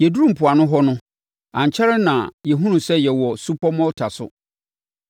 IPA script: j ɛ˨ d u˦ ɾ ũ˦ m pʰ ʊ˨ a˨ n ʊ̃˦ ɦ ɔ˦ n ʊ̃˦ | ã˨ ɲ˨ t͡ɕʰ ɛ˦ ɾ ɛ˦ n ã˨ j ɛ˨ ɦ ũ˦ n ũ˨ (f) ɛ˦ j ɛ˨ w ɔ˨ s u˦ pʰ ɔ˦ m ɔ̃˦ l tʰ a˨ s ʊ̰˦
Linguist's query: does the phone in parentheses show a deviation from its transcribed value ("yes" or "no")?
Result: yes